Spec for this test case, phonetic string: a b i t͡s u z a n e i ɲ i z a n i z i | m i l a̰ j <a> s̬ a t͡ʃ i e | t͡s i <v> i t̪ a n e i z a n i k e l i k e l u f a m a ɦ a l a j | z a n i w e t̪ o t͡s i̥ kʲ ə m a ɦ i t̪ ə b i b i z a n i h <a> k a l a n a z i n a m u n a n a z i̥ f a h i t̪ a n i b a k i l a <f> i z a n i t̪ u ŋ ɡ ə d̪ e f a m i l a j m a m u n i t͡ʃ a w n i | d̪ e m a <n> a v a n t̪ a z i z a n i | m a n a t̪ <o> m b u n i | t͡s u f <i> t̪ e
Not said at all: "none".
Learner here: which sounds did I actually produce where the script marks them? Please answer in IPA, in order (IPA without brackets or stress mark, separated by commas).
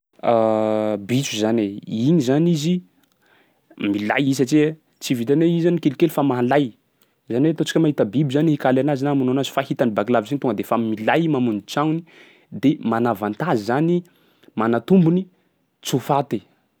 i, v, i, v, n, u, a